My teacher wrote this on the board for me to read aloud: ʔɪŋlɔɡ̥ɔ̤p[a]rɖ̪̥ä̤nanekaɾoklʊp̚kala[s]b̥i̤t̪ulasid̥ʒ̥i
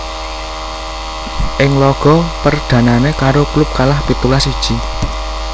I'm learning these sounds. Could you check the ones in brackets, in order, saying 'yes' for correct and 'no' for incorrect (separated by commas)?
no, no